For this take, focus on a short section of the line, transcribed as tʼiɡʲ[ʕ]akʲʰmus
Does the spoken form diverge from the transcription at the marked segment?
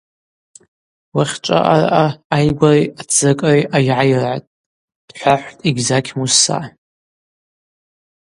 yes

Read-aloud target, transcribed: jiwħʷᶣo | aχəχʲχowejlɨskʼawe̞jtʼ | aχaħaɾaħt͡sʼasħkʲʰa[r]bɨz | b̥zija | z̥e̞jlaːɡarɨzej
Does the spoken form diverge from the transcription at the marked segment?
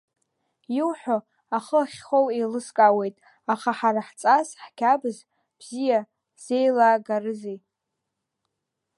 yes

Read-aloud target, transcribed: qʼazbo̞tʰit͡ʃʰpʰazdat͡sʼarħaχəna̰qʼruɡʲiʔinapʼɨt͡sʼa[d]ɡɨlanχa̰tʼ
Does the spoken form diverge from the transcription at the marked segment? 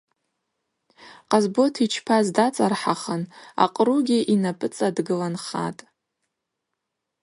no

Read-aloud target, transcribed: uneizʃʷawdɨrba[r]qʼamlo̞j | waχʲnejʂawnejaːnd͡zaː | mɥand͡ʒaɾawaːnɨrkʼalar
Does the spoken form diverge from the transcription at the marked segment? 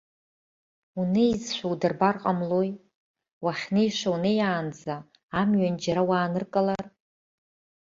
no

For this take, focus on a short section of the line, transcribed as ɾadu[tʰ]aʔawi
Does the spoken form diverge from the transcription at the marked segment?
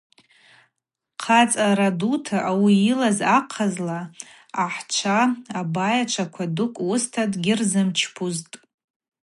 no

